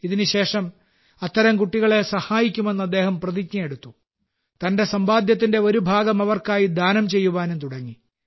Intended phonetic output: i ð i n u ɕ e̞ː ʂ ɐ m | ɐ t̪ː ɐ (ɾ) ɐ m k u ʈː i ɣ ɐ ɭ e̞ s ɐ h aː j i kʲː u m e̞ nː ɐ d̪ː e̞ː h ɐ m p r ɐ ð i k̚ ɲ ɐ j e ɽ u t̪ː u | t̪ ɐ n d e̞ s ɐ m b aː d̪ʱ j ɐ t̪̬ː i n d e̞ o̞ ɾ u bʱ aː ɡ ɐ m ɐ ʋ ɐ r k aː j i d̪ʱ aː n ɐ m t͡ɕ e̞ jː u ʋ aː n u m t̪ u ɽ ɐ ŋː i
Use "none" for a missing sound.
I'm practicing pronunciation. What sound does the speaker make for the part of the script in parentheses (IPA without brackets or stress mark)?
ɾ